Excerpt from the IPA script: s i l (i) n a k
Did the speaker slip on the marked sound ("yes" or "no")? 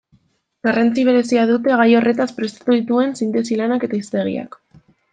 yes